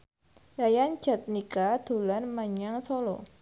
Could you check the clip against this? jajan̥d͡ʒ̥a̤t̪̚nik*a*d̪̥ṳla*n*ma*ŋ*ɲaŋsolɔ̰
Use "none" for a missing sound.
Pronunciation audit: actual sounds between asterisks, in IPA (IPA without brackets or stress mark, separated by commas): a, n, none